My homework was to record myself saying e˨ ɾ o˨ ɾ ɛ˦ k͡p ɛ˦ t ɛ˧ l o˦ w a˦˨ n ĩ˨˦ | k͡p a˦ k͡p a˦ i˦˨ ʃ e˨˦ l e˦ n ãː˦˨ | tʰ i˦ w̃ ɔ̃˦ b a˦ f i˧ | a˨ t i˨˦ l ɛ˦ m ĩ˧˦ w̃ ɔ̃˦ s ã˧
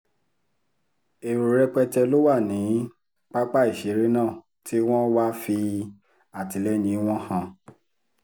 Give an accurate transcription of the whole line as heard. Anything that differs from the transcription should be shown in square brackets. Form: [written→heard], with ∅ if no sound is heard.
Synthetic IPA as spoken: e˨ ɾ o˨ ɾ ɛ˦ k͡p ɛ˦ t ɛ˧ l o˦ w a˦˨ n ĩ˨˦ | k͡p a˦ k͡p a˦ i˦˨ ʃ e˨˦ [l→ɾ] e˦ n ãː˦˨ | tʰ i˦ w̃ ɔ̃˦ [b→w] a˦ f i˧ | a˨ t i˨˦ l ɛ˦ [m→n] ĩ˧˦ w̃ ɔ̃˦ [s→h] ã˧